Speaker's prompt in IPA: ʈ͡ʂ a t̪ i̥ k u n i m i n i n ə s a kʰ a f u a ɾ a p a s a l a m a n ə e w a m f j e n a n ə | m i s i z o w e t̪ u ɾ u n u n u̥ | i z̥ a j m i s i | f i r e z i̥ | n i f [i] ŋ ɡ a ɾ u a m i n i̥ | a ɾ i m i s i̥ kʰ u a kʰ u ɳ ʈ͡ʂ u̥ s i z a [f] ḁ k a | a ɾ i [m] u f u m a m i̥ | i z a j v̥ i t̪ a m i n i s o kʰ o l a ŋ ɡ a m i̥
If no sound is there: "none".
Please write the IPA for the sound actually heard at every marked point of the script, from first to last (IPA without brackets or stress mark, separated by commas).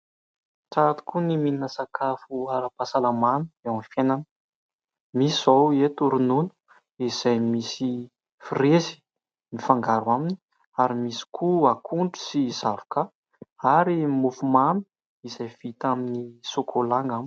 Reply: a, v, m